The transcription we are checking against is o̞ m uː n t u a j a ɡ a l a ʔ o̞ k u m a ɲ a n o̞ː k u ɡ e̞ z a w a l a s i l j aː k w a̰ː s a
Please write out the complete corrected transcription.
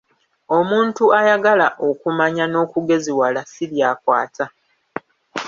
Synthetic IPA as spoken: o̞ m uː n t u a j a ɡ a l a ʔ o̞ k u m a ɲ a n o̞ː k u ɡ e̞ z i w a l a s i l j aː k w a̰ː t a